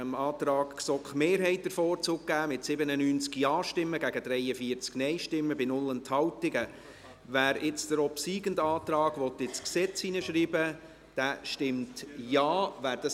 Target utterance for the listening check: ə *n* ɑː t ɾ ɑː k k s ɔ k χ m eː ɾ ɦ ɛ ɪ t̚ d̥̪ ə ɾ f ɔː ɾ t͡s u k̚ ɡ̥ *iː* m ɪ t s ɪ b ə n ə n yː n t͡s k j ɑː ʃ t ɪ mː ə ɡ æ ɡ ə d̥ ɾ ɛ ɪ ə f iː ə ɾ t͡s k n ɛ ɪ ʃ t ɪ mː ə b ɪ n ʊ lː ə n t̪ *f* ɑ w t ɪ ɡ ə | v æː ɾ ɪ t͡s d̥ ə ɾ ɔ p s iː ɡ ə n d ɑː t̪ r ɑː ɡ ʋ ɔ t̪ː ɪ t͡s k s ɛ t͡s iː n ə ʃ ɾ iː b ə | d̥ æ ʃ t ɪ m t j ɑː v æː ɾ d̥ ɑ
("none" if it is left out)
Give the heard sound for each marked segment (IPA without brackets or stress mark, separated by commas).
m, æː, h